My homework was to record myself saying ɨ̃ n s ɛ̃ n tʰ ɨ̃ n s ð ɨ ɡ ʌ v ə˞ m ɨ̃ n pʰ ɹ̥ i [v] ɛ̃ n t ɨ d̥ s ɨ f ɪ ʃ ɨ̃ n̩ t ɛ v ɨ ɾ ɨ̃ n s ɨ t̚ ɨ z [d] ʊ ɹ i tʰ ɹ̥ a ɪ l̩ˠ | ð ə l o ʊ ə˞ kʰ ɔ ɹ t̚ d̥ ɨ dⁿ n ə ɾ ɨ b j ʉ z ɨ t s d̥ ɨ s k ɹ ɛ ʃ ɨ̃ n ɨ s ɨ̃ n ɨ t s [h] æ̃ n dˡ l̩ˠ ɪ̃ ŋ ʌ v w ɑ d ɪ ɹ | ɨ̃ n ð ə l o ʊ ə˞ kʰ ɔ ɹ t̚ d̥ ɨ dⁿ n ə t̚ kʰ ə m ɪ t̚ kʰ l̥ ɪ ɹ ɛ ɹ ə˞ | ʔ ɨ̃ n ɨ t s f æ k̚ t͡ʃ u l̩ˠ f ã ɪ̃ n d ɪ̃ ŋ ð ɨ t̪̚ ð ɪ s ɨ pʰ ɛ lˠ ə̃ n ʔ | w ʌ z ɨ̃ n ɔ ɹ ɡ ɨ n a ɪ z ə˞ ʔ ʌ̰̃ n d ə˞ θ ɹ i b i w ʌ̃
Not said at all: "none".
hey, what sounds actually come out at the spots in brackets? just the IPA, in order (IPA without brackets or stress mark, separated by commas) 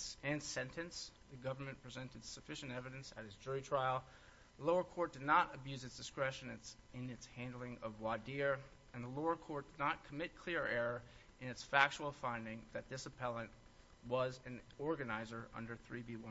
z, d͡ʒ, h